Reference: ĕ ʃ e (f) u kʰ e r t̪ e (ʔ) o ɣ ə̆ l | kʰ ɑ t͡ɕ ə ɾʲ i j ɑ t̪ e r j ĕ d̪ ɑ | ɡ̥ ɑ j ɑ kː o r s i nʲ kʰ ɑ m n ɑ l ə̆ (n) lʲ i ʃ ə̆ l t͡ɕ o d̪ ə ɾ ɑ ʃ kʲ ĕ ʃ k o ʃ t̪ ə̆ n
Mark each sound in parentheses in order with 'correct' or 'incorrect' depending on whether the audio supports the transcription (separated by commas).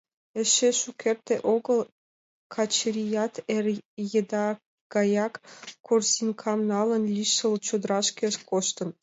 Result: incorrect, correct, correct